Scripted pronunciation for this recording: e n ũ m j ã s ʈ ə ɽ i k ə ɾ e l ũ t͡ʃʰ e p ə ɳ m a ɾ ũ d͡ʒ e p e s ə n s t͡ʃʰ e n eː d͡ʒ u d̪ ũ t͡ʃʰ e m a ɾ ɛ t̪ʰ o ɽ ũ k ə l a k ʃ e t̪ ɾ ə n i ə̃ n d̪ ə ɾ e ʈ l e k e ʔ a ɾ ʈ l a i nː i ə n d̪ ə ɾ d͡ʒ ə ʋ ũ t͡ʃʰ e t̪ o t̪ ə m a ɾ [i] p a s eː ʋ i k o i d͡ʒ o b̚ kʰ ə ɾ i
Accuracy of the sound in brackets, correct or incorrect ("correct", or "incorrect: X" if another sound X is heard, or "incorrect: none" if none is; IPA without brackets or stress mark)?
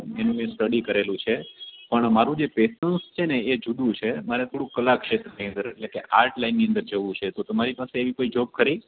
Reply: correct